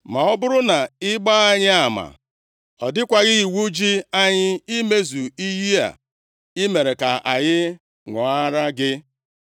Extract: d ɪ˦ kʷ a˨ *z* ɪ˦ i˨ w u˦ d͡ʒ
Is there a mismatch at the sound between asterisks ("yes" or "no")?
yes